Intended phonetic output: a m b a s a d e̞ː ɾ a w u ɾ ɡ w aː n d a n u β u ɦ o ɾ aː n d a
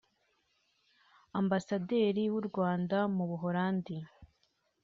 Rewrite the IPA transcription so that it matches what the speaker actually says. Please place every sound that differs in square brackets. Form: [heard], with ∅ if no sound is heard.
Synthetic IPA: a m b a s a d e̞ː ɾ [i] w u ɾ ɡ w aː n d a [m] u β u ɦ o ɾ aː n d [i]